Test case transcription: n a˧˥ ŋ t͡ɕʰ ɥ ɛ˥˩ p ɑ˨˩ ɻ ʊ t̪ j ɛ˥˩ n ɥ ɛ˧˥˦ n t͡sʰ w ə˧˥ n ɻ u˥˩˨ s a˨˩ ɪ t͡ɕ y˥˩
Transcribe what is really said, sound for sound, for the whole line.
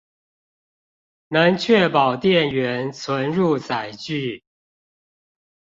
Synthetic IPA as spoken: n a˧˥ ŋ t͡ɕʰ ɥ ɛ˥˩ p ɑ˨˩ ʊ t̪ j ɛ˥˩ n ɥ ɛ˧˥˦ n t͡sʰ w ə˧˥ n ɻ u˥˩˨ t͡s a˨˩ ɪ t͡ɕ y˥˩

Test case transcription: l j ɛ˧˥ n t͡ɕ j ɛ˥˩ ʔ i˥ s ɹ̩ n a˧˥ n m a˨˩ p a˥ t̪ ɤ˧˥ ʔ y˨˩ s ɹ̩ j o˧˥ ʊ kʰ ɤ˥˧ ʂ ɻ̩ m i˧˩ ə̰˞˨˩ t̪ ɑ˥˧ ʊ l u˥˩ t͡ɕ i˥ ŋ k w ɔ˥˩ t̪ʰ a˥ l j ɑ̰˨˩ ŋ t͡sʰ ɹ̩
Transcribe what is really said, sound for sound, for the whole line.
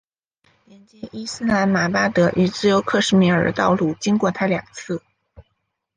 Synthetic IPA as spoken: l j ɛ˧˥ n t͡ɕ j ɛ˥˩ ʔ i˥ s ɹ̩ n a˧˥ n m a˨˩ p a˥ t̪ ɤ˧˥ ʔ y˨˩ t͡s ɹ̩ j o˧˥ ʊ kʰ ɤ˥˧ ʂ ɻ̩ m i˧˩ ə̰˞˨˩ t̪ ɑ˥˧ ʊ l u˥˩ t͡ɕ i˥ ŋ k w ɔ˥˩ t̪ʰ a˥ l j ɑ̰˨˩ ŋ t͡sʰ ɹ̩

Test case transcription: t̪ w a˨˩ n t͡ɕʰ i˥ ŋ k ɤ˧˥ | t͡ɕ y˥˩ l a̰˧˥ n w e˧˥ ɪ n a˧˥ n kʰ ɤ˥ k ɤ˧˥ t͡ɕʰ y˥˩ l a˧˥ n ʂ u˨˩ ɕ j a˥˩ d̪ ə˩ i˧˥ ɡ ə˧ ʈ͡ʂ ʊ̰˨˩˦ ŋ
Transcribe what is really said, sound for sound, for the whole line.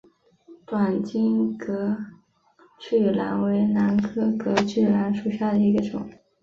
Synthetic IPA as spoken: t̪ w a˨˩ n t͡ɕ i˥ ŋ k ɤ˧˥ | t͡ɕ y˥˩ l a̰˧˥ n w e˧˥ ɪ n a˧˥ n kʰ ɤ˥ k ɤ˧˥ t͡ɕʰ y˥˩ l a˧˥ n ʂ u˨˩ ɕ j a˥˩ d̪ ə˩ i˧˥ ɡ ə˧ ʈ͡ʂ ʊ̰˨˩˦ ŋ

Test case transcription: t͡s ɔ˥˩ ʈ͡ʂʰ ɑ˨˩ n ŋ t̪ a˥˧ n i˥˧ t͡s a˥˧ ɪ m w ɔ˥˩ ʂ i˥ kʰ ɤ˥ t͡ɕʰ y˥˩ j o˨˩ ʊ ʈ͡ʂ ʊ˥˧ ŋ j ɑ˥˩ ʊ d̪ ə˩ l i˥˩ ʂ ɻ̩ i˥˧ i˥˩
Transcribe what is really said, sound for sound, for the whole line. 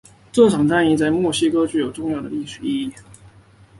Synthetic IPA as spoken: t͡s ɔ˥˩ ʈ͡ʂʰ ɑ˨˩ ŋ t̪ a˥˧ n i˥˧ t͡s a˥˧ ɪ m w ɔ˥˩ ɕ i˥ k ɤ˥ t͡ɕ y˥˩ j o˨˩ ʊ ʈ͡ʂ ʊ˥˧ ŋ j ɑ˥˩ ʊ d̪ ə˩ l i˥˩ ʂ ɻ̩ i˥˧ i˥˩

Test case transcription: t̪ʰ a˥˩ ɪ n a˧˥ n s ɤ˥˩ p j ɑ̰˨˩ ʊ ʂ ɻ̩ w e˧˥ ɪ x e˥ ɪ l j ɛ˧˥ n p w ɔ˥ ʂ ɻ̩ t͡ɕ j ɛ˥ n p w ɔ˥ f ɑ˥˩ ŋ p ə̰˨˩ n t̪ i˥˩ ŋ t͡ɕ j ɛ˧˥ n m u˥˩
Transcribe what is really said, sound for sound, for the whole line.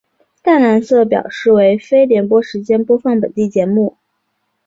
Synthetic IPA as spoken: t̪ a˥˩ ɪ n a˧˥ n s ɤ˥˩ p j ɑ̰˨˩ ʊ ʂ ɻ̩ w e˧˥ ɪ f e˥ ɪ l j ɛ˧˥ n p w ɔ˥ ʂ ɻ̩ t͡ɕ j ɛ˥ n p w ɔ˥ f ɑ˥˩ ŋ p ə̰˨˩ n t̪ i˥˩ t͡ɕ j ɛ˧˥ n m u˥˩

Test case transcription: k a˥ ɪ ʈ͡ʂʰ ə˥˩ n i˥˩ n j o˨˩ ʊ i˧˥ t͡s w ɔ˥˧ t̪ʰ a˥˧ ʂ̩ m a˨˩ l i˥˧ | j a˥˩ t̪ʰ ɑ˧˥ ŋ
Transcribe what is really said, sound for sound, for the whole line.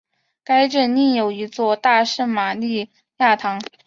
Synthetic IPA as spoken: k a˥ ɪ ʈ͡ʂ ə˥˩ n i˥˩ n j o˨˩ ʊ i˧˥ t͡s w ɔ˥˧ t̪ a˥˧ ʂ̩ m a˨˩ l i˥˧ | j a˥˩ t̪ʰ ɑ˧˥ ŋ

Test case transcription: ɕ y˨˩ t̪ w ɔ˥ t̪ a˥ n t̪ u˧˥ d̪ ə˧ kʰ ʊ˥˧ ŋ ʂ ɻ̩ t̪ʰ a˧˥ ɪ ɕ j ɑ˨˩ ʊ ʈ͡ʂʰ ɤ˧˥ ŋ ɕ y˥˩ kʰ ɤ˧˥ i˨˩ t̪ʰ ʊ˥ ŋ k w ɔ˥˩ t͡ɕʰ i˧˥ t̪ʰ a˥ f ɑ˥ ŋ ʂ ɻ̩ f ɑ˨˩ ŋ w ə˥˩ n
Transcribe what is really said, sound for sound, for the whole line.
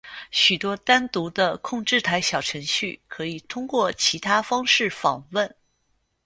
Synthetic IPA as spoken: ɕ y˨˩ t̪ w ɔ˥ t̪ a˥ n t̪ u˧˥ d̪ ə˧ kʰ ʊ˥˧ ŋ ʈ͡ʂ ɻ̩ t̪ʰ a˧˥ ɪ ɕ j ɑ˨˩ ʊ ʈ͡ʂʰ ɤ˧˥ ŋ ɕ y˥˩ kʰ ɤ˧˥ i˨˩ t̪ʰ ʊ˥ ŋ k w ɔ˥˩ t͡ɕʰ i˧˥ t̪ʰ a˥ f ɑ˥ ŋ ʂ ɻ̩ f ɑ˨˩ ŋ w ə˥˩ n

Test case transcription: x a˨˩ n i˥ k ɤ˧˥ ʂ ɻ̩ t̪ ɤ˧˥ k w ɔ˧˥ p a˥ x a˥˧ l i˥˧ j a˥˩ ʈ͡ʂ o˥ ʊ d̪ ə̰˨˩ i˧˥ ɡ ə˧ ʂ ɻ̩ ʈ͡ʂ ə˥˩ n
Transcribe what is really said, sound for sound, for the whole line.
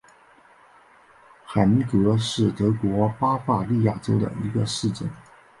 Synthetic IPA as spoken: x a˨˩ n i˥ k ɤ˧˥ ʂ ɻ̩ t̪ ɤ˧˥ k w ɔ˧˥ p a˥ f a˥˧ l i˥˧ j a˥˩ ʈ͡ʂ o˥ ʊ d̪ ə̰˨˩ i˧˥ ɡ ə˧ ʂ ɻ̩ ʈ͡ʂ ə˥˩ n

